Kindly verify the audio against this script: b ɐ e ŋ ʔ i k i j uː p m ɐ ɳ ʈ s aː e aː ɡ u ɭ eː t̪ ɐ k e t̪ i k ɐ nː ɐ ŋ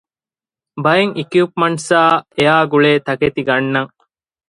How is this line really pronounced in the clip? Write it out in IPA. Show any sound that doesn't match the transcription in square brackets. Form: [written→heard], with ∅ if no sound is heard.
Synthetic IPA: b ɐ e ŋ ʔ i k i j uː p m ɐ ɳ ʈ s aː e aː ɡ u ɭ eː t̪ ɐ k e t̪ i [k→ɡ] ɐ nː ɐ ŋ